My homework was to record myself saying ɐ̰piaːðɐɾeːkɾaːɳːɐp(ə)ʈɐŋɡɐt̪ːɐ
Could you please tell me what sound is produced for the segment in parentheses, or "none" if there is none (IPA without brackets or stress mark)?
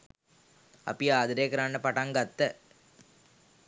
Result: ɐ